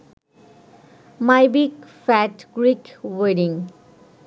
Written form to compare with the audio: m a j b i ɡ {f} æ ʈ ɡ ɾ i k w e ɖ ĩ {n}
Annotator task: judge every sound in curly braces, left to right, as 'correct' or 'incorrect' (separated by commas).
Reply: correct, incorrect